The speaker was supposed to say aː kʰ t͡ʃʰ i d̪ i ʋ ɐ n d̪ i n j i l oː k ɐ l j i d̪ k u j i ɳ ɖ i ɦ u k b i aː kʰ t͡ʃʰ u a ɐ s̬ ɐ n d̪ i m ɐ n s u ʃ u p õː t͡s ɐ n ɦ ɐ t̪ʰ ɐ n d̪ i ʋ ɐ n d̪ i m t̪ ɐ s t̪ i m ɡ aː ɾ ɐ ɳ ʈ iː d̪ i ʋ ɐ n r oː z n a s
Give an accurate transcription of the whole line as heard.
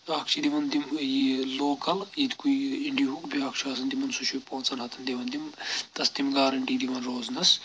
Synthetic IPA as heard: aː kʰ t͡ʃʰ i d̪ i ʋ ɐ n d̪ i m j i l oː k ɐ l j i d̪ k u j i ɳ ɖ i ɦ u k b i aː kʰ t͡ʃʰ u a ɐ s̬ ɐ n d̪ i m ɐ n s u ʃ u p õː t͡s ɐ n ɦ ɐ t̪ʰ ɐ n d̪ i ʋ ɐ n d̪ i m t̪ ɐ s t̪ i m ɡ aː ɾ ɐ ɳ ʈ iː d̪ i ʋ ɐ n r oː z n ɐ s